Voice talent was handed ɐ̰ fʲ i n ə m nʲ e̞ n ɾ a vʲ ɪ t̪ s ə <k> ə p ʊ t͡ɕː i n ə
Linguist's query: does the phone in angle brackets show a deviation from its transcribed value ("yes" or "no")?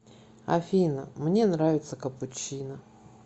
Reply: no